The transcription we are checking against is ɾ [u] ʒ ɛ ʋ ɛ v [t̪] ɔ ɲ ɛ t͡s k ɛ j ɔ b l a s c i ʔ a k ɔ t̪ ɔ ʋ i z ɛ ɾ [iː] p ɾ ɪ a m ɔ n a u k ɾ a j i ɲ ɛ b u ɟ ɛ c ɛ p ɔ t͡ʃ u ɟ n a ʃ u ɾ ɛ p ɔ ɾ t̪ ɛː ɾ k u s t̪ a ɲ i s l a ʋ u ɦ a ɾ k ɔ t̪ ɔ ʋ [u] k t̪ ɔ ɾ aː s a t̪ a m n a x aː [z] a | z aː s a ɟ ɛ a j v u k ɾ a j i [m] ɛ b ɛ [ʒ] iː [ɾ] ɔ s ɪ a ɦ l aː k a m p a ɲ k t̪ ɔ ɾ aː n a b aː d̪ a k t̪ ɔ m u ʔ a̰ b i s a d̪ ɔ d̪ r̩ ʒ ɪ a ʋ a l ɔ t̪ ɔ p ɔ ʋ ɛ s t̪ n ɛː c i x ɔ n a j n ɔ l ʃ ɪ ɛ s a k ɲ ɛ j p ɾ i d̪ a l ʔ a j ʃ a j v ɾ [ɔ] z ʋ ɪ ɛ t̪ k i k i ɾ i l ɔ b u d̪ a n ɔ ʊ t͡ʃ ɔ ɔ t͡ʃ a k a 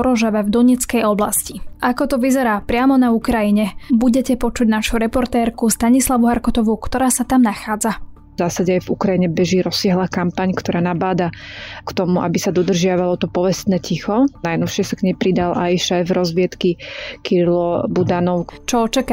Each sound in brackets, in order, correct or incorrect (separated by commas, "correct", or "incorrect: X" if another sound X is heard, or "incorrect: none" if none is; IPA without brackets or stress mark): incorrect: ɔ, incorrect: d̪, incorrect: aː, correct, incorrect: d͡z, incorrect: ɲ, correct, correct, correct